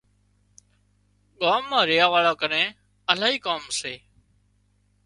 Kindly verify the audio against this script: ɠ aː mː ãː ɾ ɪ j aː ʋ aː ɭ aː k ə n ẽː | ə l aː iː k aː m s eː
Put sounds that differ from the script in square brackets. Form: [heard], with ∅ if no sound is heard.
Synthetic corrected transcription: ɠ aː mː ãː ɾ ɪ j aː ʋ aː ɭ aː k ə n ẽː | ə l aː iː k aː m s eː